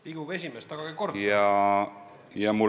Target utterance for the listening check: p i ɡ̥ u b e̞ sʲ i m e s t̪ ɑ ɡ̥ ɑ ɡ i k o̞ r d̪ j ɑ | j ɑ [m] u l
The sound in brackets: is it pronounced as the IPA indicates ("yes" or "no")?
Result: yes